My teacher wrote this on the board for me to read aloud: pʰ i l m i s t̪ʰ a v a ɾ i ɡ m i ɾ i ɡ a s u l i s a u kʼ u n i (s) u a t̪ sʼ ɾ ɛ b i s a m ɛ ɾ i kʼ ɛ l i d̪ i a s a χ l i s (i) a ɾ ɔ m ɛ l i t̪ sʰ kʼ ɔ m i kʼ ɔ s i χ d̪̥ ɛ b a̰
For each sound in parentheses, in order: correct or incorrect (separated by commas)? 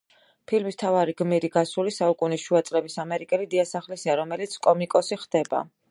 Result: incorrect, correct